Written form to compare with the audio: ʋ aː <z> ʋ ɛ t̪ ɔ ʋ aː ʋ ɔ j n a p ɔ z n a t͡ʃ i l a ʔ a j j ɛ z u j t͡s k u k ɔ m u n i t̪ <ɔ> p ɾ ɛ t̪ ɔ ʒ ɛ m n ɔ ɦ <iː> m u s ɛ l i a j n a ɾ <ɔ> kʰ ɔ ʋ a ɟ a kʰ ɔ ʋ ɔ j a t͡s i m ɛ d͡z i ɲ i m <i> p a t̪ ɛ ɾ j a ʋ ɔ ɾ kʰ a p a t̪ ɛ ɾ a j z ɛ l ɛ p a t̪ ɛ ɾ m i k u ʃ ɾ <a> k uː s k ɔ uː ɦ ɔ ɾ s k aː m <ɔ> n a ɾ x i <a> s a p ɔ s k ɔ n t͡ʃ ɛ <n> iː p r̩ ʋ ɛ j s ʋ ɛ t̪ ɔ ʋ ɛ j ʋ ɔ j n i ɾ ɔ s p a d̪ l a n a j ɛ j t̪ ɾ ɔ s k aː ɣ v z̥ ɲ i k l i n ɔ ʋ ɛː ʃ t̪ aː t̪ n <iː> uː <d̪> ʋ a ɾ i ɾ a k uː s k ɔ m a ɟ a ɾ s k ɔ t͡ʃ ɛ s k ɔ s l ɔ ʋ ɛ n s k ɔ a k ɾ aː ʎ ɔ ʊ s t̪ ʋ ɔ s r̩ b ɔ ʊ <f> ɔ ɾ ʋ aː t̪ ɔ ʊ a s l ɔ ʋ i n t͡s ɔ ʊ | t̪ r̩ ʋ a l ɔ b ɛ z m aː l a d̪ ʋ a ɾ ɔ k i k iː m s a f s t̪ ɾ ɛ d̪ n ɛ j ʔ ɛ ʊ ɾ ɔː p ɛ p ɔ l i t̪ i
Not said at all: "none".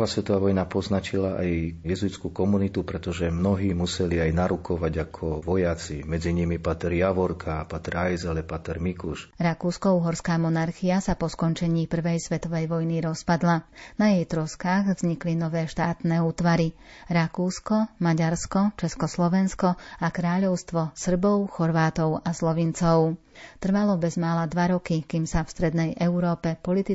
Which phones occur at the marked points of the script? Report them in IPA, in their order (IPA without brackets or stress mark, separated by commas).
s, u, iː, u, i, a, ɔ, a, ɲ, ɛː, t̪, x